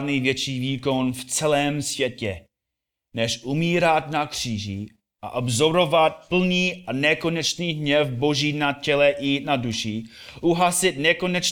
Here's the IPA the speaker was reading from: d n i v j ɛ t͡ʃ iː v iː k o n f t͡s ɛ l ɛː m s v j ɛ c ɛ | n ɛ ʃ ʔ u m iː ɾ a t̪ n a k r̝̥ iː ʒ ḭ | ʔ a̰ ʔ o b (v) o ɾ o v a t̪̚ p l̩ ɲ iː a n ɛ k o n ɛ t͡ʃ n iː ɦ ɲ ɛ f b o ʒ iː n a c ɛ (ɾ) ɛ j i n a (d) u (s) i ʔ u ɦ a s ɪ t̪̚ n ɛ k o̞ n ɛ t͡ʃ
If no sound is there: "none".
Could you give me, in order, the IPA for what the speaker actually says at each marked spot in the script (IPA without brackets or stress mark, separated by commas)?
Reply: z, l, d, ʃ